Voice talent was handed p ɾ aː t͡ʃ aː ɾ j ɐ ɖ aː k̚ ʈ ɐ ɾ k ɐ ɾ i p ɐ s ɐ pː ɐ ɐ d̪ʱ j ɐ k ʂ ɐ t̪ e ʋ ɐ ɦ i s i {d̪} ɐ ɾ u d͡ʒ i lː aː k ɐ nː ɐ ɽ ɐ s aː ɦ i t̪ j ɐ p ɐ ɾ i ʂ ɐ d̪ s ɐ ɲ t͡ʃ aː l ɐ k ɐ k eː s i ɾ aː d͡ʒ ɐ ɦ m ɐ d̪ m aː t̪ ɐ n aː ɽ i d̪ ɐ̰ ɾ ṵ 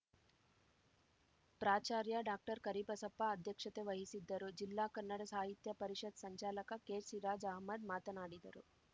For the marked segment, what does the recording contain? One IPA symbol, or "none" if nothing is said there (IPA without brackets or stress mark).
d̪ː